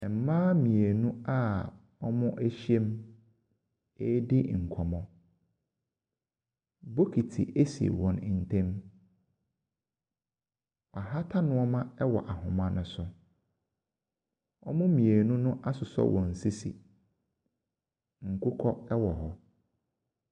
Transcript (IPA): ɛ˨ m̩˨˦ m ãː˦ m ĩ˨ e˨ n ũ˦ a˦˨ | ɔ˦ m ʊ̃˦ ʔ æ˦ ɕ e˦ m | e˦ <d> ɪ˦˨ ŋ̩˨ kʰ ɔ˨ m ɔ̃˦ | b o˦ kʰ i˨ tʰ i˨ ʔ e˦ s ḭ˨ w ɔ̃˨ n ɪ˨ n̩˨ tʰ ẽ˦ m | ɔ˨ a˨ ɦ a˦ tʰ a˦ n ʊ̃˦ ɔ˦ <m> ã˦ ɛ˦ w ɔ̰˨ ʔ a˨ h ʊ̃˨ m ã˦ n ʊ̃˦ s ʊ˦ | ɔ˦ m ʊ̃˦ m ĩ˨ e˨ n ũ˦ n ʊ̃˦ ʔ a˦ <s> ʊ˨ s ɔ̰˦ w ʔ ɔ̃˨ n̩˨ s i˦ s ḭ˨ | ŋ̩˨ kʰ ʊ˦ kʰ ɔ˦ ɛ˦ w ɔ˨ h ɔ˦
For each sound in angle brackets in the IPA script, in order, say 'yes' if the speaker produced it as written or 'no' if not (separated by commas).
yes, yes, yes